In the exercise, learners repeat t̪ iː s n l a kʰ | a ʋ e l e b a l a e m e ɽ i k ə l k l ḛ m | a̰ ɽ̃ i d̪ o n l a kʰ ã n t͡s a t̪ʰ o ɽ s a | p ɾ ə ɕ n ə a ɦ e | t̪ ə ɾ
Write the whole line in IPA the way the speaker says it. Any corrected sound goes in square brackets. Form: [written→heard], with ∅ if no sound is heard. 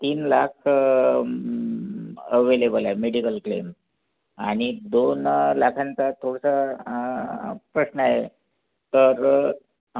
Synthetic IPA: t̪ iː [s→∅] n l a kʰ | [a→ə] ʋ e l e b [a→ə] l a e m e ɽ i k ə l k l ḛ m | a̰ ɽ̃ i d̪ o n l a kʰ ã n t͡s a t̪ʰ o ɽ s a | p ɾ ə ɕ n ə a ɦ e | t̪ ə ɾ